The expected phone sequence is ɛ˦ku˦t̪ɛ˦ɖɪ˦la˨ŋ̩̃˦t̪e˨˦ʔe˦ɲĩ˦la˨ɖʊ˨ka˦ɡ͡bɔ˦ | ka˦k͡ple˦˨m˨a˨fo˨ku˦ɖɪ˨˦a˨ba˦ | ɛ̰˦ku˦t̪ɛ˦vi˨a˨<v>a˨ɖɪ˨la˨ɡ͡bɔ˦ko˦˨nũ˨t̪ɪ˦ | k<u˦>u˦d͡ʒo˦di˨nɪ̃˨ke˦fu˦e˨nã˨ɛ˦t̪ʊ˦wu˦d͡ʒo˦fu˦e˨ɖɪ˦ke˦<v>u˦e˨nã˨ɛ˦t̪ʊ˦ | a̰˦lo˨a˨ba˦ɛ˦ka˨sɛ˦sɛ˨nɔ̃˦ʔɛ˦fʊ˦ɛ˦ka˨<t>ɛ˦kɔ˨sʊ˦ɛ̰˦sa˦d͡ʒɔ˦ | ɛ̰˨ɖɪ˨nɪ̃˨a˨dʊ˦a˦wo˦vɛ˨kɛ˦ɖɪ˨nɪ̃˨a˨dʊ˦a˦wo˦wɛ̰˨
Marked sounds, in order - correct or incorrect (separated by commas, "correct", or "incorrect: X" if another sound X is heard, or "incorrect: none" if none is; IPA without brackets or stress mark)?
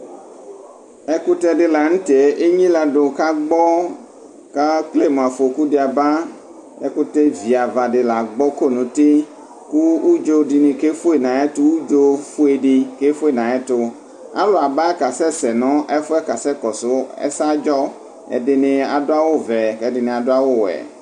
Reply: correct, correct, incorrect: f, incorrect: s